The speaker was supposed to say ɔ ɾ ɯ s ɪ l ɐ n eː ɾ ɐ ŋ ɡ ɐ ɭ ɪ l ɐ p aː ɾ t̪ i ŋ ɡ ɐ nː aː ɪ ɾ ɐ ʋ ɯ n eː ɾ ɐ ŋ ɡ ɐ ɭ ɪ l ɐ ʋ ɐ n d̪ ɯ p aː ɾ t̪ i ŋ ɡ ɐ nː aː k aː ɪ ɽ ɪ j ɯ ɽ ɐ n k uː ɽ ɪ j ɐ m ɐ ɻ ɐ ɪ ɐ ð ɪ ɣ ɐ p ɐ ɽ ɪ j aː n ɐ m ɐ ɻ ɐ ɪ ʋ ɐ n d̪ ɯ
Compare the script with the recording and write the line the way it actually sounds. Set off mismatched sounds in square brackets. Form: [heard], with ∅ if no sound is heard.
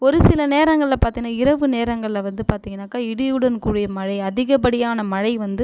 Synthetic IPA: ɔ ɾ ɯ s ɪ l ɐ n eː ɾ ɐ ŋ ɡ ɐ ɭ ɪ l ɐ p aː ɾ t̪ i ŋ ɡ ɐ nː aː ɪ ɾ ɐ ʋ ɯ n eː ɾ ɐ ŋ ɡ ɐ ɭ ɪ l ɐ ʋ ɐ n d̪ ɯ p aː ɾ t̪ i ŋ ɡ ɐ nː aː k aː ɪ ɽ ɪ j ɯ ɽ ɐ n k uː ɽ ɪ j ɐ m ɐ ɻ ɐ ɪ ɐ ð ɪ ɣ ɐ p ɐ ɽ ɪ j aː n ɐ m ɐ ɻ ɐ ɪ ʋ ɐ n d̪ ɯ